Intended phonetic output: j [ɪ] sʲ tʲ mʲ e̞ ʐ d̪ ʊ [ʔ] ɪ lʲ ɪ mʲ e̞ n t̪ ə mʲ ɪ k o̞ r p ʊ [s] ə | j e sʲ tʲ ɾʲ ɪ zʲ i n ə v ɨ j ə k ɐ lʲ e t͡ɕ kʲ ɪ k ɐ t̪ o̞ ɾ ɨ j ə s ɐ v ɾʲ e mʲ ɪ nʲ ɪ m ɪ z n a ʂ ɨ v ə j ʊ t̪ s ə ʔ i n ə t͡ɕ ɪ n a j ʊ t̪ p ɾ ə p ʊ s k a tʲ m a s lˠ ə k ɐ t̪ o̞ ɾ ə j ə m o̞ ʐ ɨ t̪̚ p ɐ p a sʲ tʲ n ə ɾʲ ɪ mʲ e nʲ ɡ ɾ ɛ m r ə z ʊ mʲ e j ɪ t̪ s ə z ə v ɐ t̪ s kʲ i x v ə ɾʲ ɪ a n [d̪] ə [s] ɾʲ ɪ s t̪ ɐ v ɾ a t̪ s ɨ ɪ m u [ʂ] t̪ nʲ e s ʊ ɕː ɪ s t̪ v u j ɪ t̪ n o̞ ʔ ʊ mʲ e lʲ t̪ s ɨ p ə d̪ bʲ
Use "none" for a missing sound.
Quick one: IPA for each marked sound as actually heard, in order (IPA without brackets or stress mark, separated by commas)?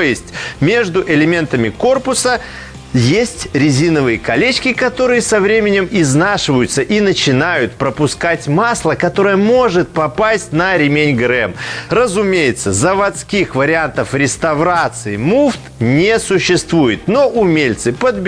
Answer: ɪ, ʔ, s, t̪, f, f